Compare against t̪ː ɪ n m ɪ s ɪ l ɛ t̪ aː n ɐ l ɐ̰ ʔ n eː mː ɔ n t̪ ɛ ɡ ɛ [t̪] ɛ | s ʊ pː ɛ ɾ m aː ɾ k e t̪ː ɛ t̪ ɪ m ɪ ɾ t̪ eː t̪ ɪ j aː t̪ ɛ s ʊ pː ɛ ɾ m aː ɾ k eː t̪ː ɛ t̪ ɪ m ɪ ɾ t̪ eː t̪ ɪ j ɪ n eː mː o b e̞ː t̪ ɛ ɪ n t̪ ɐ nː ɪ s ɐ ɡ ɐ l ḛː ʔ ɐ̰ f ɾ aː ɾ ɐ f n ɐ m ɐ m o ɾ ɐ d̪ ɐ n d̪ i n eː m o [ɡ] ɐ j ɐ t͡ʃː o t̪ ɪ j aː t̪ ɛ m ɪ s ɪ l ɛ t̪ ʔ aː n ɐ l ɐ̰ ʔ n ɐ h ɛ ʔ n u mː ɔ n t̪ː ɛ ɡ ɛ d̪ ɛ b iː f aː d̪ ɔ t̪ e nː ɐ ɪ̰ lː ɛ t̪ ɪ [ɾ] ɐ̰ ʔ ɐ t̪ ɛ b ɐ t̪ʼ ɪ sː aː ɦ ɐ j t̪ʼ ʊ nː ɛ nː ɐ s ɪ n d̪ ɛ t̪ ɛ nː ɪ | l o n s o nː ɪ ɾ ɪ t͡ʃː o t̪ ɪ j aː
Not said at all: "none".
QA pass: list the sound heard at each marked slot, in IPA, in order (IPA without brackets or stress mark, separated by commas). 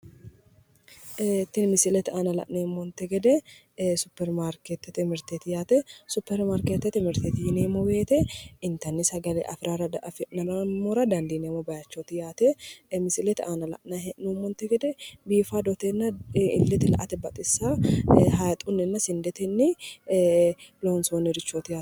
d̪, b, l